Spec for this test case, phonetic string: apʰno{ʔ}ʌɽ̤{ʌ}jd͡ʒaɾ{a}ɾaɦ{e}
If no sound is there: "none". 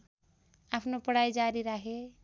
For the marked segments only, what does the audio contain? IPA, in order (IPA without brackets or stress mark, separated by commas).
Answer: p, a, i, e